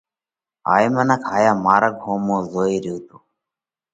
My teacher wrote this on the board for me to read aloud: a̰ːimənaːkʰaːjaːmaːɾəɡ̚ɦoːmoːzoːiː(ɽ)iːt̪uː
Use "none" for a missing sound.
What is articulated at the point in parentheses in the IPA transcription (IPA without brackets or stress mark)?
ɾ